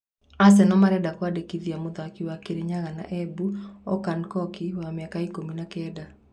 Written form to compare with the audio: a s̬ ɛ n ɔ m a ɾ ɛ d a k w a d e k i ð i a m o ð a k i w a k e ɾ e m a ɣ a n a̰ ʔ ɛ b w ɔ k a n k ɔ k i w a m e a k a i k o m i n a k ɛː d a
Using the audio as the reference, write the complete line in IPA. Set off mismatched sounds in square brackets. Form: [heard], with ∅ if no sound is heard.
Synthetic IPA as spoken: a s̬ ɛ n ɔ m a ɾ ɛ d a k w a d e k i ð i a m o ð a k i w a k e ɾ e [ɲ] a ɣ a n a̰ ʔ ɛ b [u] ɔ k a n k ɔ k i w a m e a k a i k o m i n a k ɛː d a

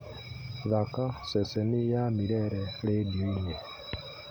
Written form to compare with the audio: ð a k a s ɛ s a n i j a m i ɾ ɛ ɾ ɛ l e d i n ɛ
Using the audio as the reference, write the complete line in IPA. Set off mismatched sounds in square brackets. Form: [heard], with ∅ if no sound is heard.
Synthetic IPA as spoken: ð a k a s ɛ s [ɛ] n i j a m i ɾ ɛ ɾ ɛ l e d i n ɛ

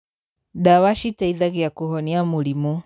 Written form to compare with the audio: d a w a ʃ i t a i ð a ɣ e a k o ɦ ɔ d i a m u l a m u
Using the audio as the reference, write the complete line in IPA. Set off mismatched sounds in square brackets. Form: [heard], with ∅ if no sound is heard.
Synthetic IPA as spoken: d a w a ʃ i t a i ð a ɣ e a k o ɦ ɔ [n] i a m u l [i] m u

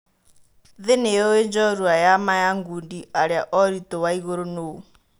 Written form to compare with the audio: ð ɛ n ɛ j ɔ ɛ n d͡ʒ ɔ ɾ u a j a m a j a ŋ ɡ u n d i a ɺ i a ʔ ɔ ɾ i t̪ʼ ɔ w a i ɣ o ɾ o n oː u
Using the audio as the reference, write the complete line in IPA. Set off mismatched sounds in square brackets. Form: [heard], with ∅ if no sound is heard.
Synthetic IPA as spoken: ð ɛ n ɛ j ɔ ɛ n d͡ʒ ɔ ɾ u a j a m a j a ŋ ɡ u n d i a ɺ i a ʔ ɔ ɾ i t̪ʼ ɔ w a i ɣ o ɾ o n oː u

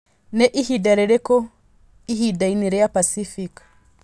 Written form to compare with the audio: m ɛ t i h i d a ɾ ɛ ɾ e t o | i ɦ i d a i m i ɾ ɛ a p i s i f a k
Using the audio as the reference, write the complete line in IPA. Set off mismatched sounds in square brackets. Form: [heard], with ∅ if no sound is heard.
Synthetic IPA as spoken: [n] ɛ [ʔ] i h i d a ɾ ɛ ɾ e [k] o | i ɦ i d a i [n] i ɾ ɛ a p [a] s i f [i] k

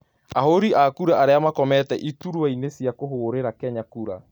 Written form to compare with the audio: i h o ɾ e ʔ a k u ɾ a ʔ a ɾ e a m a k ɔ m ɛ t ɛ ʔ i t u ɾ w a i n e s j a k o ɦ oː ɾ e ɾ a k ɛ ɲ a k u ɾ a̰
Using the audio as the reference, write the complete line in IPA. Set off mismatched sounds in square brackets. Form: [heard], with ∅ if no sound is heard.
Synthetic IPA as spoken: [a] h o ɾ [i] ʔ a k u ɾ a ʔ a ɾ e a m a k ɔ m ɛ t ɛ ʔ i t u ɾ w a i n e s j a k o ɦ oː ɾ e ɾ a k ɛ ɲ a k u ɾ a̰

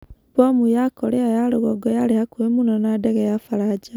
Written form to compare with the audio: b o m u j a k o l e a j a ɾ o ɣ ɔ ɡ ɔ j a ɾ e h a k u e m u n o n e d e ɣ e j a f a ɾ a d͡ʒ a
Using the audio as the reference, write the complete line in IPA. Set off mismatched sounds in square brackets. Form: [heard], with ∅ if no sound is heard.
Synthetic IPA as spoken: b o m u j a k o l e a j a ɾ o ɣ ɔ ɡ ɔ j a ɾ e h a k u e m u n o n [a] d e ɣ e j a f a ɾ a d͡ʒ a

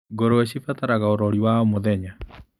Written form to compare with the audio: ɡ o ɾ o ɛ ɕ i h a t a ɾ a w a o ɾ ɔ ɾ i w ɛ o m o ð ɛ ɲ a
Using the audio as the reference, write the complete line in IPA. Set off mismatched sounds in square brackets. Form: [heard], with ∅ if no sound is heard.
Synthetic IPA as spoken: ɡ o ɾ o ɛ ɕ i [f] a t a ɾ a [ɣ] a o ɾ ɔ ɾ i w [a] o m o ð ɛ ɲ a

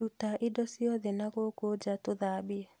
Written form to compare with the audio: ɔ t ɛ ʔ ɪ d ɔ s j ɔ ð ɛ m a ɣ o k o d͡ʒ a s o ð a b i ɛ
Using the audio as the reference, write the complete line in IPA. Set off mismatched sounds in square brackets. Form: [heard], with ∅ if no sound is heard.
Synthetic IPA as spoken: [u] t [a] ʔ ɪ d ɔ s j ɔ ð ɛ [n] a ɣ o k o d͡ʒ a [t] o ð a b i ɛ

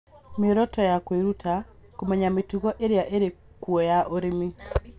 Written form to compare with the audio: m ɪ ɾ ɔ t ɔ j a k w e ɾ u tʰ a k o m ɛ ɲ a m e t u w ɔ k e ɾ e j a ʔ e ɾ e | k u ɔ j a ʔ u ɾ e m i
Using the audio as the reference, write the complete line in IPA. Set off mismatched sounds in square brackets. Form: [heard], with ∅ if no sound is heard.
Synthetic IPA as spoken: m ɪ ɾ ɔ t ɔ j a k w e ɾ u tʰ a k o m ɛ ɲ a m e t u [ɣ] ɔ [ʔ] e ɾ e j a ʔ e ɾ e | k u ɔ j a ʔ [o] ɾ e m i

